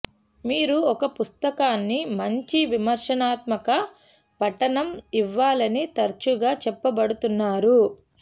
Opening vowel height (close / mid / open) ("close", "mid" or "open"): close